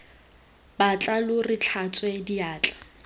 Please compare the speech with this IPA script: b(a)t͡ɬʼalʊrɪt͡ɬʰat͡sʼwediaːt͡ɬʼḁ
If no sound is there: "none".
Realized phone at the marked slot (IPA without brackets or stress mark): a